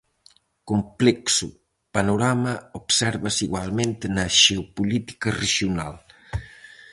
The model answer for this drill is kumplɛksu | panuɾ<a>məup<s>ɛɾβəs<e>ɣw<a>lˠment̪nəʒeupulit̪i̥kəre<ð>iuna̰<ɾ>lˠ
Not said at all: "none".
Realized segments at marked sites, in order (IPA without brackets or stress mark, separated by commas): a, s, i, a, ʒ, none